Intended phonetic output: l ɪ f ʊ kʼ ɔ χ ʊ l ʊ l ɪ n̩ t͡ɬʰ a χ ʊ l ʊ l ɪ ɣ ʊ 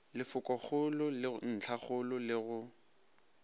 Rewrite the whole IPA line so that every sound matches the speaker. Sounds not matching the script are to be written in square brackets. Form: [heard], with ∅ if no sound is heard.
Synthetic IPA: l ɪ f ʊ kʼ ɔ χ ʊ l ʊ l ɪ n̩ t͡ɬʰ a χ ʊ l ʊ l ɪ ɣ ʊ